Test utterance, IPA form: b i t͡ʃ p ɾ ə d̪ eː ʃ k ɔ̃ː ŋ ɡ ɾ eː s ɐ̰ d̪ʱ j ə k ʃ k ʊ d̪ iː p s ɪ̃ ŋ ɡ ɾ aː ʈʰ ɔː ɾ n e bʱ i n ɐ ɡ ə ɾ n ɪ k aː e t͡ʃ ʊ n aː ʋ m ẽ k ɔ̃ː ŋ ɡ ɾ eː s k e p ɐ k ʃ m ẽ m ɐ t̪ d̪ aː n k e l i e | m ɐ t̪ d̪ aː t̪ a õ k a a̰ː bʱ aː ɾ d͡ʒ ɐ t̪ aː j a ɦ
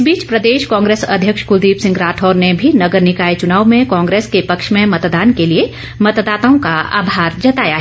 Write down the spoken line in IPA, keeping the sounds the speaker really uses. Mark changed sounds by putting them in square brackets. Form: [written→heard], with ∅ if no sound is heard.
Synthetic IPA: b [i→iː] t͡ʃ p ɾ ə d̪ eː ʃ k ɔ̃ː ŋ ɡ ɾ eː s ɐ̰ d̪ʱ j ə k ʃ k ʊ d̪ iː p s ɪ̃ ŋ ɡ ɾ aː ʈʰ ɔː ɾ n e bʱ i n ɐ ɡ ə ɾ n ɪ k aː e t͡ʃ ʊ n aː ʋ m ẽ k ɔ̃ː ŋ ɡ ɾ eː s k e p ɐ k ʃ m ẽ m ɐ t̪ d̪ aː n k e l i e | m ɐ t̪ d̪ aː t̪ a õ k a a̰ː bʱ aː ɾ d͡ʒ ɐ t̪ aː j a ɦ